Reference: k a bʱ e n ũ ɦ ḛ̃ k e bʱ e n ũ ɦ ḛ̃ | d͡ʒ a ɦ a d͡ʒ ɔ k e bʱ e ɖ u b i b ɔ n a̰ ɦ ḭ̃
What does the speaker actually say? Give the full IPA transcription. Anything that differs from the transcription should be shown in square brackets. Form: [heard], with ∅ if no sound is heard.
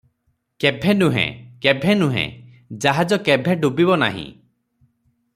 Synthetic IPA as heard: k [e] bʱ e n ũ ɦ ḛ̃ k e bʱ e n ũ ɦ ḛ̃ | d͡ʒ a ɦ a d͡ʒ ɔ k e bʱ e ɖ u b i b ɔ n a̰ ɦ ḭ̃